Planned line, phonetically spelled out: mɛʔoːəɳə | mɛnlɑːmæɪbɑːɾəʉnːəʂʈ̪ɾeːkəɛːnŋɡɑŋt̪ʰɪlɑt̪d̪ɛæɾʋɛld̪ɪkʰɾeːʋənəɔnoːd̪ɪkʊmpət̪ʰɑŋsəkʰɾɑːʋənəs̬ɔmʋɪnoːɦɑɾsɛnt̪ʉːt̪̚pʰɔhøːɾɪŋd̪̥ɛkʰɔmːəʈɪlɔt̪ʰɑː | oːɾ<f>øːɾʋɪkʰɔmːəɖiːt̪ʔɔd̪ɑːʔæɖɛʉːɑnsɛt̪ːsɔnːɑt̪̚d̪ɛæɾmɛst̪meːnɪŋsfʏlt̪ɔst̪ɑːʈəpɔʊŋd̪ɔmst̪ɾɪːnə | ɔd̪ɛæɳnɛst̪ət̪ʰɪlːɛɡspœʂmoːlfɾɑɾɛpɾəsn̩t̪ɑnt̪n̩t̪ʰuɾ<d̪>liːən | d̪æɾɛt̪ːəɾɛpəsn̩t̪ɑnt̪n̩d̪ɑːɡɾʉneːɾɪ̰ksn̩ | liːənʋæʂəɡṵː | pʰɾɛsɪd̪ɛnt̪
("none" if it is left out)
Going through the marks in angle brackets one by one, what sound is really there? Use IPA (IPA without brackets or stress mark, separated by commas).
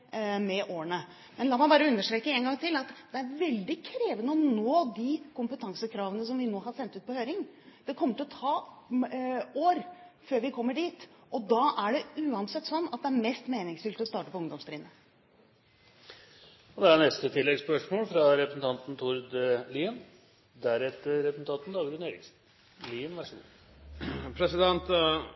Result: f, d̪